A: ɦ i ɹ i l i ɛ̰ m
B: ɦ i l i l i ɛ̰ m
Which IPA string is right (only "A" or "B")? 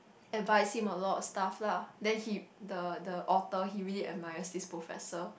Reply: A